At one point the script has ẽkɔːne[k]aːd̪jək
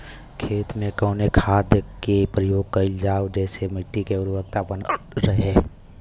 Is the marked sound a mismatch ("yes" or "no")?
yes